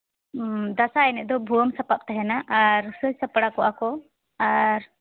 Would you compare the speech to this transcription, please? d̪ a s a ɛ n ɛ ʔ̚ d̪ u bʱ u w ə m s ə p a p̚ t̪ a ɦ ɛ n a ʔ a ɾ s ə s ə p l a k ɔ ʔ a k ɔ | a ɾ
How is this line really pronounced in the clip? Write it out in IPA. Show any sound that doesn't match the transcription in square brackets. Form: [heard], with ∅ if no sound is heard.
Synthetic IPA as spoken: d̪ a s a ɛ n ɛ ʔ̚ d̪ [ɔ] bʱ u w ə m s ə p a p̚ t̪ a ɦ ɛ n a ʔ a ɾ s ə s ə p [ɽ] a k ɔ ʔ a k ɔ | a ɾ

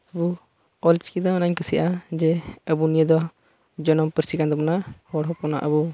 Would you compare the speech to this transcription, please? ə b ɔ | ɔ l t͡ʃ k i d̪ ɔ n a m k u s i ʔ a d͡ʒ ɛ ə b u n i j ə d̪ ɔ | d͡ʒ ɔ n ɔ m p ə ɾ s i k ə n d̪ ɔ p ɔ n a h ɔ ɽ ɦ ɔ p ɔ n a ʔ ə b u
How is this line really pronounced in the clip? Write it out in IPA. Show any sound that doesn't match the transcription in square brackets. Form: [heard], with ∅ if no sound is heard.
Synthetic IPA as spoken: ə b [u] | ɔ l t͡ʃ k i d̪ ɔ n a [ɲ] k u s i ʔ a d͡ʒ ɛ ə b u n i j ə d̪ ɔ | d͡ʒ ɔ n ɔ m p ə ɾ s i k [a] n d̪ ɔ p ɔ n a h ɔ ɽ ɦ ɔ p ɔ n a ʔ ə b u

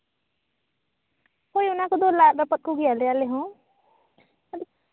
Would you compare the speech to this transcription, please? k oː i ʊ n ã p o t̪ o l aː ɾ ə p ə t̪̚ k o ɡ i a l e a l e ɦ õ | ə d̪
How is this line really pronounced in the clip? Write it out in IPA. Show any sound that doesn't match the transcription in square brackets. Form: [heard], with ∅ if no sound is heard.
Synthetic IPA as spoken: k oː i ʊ n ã [k] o [d̪] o l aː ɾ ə p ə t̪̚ k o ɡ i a l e a l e ɦ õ | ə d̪

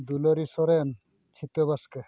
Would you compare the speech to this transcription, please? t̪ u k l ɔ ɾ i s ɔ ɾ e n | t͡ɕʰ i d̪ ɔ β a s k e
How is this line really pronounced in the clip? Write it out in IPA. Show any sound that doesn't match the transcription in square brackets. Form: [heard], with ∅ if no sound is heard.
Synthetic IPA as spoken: [d̪] u [∅] l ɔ ɾ i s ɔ ɾ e n | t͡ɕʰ i [t̪] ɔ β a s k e

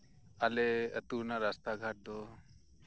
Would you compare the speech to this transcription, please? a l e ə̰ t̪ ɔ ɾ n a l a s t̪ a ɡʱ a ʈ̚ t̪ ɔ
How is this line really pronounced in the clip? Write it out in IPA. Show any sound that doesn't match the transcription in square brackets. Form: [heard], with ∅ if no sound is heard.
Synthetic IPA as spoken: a l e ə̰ t̪ [u] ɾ n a [ɾ] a s t̪ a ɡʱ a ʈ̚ [d̪] ɔ

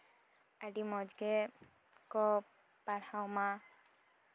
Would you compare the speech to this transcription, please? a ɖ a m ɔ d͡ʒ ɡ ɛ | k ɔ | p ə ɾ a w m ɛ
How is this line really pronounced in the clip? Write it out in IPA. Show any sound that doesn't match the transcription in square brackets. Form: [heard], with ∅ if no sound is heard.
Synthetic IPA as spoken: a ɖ [i] m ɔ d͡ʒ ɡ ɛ | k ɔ | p [a] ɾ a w m [a]

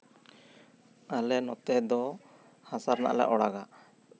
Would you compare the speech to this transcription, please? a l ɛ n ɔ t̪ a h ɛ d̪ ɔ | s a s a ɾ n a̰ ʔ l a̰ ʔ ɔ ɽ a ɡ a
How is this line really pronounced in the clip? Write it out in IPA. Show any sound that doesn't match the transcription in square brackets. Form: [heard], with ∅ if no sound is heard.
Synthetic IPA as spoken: a l ɛ n ɔ t̪ [ɛ] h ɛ d̪ ɔ | [h] a s a ɾ n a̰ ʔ l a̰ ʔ ɔ ɽ a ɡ a

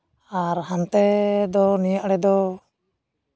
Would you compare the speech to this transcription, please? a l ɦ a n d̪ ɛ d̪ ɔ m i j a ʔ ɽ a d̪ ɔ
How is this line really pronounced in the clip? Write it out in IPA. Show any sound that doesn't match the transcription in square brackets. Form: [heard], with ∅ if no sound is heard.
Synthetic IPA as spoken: a [ɾ] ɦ a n [t̪] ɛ d̪ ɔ [n] i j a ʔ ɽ [ɛ] d̪ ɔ

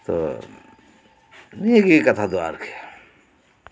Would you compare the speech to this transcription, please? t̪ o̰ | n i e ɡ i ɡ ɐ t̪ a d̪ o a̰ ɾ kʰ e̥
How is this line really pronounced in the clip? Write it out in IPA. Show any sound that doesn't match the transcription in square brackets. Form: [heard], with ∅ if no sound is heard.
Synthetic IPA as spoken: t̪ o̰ | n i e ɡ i [k] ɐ [t̪ʰ] a d̪ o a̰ ɾ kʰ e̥

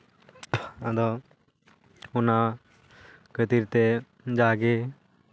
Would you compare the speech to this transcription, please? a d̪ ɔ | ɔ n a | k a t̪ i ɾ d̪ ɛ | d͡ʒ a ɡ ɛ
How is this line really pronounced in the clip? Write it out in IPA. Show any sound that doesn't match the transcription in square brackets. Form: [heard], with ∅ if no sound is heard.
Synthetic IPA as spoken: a d̪ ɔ | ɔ n a | k [ə] t̪ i ɾ [t̪] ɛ | d͡ʒ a ɡ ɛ

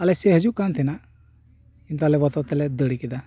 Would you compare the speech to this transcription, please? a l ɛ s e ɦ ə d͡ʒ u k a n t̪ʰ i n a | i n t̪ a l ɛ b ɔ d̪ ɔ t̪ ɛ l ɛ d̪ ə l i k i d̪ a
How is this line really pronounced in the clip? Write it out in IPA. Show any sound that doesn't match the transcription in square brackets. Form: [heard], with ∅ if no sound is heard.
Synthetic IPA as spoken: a l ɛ s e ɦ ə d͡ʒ u k a n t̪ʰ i n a | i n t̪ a l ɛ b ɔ [t̪] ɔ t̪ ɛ l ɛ d̪ ə [ɽ] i k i d̪ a

